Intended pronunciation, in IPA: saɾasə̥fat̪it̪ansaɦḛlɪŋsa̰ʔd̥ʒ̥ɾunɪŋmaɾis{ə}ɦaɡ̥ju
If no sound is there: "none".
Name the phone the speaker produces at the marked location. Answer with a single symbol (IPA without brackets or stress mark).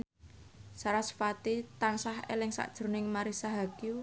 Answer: a